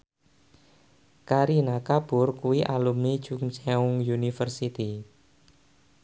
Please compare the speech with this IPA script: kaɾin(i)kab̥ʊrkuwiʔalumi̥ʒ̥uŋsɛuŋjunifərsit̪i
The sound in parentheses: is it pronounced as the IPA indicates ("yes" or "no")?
no